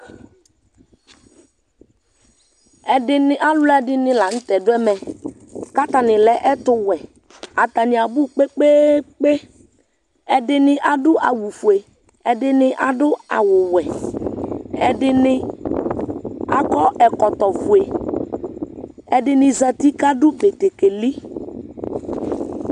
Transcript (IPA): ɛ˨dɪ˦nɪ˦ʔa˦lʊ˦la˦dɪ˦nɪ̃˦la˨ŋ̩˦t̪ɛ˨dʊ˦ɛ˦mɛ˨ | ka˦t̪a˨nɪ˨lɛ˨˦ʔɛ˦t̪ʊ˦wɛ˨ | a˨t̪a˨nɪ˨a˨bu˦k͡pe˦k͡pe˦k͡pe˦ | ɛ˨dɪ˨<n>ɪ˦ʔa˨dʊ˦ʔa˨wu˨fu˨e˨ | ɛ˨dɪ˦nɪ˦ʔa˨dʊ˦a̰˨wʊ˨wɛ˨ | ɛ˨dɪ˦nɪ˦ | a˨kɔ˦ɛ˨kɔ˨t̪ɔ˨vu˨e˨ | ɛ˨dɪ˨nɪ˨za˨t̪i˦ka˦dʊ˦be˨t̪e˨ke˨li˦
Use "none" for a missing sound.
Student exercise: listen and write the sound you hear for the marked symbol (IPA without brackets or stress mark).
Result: n